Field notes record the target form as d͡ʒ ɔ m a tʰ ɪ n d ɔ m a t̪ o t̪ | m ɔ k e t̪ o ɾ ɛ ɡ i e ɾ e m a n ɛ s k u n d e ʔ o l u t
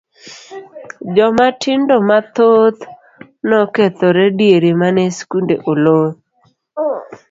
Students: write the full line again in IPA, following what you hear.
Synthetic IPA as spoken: d͡ʒ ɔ m a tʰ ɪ n d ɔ m a t̪ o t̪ | n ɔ k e t̪ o ɾ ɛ d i e ɾ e m a n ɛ s k u n d e ʔ o l o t